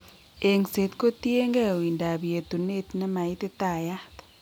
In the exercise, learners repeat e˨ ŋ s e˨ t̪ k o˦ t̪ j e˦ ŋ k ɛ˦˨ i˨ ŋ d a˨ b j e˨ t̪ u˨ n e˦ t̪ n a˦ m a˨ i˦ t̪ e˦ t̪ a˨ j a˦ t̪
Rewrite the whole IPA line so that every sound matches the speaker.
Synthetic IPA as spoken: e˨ ŋ s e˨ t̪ k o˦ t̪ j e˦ ŋ ɡ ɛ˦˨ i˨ n d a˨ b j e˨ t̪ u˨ n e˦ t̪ n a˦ m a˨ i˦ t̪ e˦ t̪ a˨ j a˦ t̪